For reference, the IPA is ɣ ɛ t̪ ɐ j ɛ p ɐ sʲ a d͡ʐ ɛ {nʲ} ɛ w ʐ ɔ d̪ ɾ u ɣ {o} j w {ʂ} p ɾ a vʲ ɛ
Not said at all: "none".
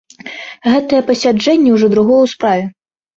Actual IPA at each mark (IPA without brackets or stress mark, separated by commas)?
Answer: nʲː, ɔ, s